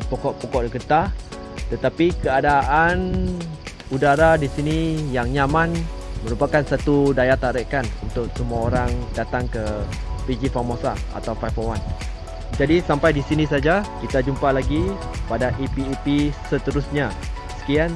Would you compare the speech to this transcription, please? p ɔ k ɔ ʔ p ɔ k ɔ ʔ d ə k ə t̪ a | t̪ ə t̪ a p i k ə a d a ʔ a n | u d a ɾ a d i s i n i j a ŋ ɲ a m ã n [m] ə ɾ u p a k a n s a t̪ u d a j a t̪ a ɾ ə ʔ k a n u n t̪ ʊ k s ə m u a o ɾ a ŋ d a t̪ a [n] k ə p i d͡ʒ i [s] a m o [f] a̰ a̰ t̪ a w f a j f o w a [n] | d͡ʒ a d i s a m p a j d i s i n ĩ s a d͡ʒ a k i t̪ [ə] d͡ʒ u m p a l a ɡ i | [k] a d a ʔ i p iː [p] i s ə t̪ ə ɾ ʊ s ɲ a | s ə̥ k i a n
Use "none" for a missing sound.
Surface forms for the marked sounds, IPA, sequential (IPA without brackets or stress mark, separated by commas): m, ŋ, f, s, n, a, p, p